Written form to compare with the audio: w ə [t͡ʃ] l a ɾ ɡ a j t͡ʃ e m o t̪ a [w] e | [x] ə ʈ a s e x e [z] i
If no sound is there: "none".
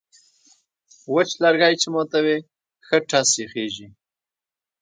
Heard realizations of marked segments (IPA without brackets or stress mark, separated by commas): t͡ʃ, w, x, ʒ